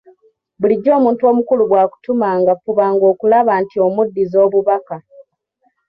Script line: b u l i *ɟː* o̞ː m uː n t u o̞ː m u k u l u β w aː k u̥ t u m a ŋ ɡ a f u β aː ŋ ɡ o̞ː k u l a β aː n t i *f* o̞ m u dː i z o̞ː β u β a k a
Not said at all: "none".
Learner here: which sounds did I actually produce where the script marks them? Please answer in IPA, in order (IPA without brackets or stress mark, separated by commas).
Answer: ɟː, none